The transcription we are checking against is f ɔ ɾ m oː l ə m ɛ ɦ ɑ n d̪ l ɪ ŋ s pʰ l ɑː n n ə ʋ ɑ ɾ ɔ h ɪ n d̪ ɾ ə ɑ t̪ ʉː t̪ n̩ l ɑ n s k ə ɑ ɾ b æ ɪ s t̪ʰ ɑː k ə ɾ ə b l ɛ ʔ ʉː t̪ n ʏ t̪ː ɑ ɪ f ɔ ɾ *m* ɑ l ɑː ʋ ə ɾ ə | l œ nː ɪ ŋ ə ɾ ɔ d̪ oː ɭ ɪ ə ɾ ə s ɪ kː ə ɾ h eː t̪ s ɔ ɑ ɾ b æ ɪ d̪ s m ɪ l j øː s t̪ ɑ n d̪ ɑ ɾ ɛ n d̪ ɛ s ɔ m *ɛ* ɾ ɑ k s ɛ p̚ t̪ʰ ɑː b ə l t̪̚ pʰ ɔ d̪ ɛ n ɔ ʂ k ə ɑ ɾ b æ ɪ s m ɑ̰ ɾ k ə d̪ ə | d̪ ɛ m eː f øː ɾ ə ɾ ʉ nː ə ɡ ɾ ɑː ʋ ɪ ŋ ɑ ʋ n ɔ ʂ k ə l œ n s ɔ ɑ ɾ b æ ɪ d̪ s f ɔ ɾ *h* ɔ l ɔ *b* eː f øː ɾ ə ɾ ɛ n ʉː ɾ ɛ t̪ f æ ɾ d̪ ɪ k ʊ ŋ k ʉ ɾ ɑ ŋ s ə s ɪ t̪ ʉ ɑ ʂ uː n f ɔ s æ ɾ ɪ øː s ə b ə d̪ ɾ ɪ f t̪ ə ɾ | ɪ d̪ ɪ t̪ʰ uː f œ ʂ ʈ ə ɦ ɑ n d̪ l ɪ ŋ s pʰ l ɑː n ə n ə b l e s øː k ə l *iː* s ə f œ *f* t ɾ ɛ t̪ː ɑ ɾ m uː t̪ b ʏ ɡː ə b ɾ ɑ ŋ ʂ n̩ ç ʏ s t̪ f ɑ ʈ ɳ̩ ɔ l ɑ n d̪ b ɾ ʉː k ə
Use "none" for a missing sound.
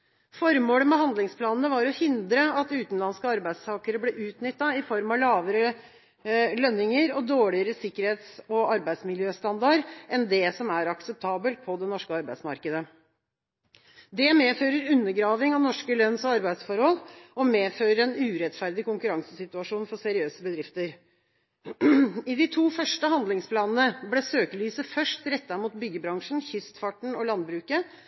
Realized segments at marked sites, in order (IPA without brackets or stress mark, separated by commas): m, æ, h, m, yː, ʂ